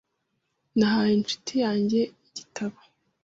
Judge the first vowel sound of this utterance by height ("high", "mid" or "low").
low